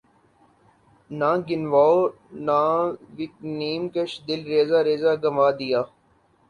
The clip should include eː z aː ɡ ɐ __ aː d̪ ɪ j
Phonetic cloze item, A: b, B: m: B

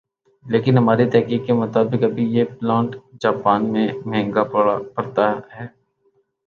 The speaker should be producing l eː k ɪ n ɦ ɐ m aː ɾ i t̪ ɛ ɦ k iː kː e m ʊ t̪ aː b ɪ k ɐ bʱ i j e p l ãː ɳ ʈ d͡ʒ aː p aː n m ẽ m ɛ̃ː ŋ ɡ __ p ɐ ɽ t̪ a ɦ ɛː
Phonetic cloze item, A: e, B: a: B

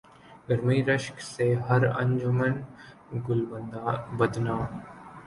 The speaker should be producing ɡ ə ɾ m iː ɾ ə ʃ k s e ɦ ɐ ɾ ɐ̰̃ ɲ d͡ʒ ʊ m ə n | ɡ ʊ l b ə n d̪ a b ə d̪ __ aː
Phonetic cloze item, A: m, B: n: B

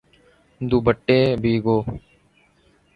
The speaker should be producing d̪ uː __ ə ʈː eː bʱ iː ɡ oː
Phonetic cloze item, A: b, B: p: A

